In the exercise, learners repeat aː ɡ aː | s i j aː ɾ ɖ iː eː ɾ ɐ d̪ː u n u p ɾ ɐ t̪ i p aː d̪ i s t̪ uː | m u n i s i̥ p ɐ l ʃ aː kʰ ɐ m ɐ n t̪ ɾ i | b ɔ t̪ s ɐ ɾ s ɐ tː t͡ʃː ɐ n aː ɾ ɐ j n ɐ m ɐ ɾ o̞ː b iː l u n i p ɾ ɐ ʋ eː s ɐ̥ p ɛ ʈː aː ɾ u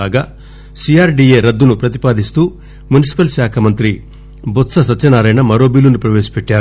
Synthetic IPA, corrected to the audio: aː ɡ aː | s i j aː ɾ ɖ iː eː ɾ ɐ d̪ː u n u p ɾ ɐ t̪ i p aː d̪ i s t̪ uː | m u n i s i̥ p ɐ l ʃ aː kʰ ɐ m ɐ n t̪ ɾ i | b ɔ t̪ s ɐ s ɐ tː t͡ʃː ɐ n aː ɾ ɐ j n ɐ m ɐ ɾ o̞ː b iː l u n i p ɾ ɐ ʋ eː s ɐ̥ p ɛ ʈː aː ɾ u